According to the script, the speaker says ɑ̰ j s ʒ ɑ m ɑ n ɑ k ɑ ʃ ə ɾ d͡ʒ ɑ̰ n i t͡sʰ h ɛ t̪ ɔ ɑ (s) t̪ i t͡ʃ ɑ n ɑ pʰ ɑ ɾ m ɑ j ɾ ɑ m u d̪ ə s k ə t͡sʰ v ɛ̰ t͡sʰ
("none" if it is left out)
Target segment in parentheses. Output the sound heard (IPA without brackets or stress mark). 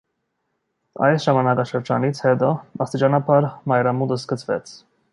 s